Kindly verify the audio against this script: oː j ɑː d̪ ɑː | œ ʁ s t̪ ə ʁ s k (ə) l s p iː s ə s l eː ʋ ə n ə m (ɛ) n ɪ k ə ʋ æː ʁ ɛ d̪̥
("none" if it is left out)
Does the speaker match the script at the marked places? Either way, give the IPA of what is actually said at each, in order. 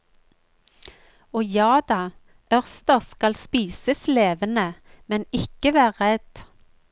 ɑ, ɛ

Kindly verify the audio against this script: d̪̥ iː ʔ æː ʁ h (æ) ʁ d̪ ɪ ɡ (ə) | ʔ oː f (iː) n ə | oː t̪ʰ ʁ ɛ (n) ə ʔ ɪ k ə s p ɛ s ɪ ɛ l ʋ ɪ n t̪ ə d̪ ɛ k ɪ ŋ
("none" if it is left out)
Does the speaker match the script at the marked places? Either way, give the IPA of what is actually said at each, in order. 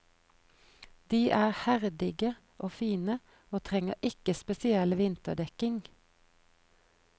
æ, ə, iː, ŋ

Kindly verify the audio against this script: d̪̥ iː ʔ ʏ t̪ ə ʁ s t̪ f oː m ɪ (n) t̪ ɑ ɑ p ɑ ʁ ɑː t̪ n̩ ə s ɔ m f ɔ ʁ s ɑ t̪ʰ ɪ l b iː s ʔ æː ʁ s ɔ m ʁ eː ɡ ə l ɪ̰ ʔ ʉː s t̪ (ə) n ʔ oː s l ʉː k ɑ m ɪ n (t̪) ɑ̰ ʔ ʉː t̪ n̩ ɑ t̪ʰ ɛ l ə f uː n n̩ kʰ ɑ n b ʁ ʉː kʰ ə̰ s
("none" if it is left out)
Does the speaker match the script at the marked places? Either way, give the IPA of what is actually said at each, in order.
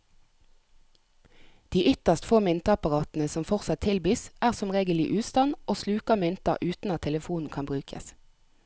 n, ɑ, t̪

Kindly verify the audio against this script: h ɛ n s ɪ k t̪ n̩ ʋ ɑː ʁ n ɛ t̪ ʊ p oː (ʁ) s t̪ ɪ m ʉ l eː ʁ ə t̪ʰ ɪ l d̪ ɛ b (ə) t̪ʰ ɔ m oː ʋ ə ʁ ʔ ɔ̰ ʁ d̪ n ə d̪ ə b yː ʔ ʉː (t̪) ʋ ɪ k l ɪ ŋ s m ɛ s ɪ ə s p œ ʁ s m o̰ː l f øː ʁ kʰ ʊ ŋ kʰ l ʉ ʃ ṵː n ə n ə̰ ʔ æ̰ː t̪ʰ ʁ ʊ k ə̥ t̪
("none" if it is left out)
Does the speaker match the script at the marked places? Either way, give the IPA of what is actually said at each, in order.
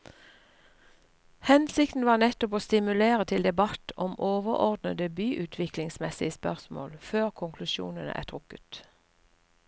none, ɑ, t̪ʰ

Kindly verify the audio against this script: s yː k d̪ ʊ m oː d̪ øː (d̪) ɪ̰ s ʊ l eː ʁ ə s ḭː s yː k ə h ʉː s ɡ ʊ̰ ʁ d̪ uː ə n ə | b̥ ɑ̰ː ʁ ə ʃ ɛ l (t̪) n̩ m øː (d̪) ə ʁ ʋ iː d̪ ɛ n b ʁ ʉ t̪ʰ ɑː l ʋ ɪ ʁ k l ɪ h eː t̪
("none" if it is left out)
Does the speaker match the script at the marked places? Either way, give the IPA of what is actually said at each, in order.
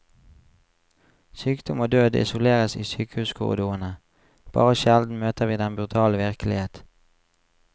d̪, d̪, t̪

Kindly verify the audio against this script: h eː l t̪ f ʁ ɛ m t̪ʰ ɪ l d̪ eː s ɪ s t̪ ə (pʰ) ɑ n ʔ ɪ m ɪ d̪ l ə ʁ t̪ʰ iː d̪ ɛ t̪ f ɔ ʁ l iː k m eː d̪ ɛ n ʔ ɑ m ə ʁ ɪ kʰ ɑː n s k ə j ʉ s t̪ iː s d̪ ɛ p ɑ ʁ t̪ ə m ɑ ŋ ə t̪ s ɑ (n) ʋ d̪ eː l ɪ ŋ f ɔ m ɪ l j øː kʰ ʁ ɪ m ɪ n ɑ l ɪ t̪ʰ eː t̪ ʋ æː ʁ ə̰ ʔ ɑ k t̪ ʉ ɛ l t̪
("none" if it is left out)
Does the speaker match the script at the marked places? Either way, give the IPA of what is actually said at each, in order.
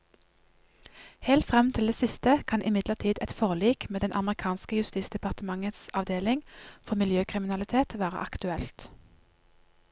kʰ, none

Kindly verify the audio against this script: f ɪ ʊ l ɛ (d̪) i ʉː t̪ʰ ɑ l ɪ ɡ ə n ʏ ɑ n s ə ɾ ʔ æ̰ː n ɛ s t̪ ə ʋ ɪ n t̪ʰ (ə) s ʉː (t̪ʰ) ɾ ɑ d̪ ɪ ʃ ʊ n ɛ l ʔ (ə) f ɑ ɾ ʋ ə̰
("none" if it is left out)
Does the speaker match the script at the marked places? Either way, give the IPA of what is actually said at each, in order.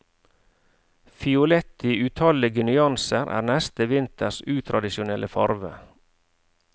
t̪, ə, t̪ʰ, ə

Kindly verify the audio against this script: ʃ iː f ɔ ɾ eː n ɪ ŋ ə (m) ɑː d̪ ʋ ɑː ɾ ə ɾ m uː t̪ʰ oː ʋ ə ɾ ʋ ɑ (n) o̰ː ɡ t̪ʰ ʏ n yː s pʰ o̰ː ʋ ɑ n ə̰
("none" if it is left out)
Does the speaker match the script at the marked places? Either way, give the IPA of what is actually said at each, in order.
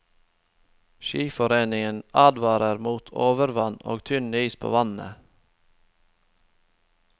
n, n

